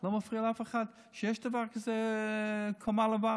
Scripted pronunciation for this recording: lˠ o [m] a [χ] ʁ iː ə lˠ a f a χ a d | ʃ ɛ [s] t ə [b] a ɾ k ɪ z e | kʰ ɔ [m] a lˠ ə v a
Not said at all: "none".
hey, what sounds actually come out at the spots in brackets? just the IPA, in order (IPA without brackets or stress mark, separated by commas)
m, f, ʃ, v, m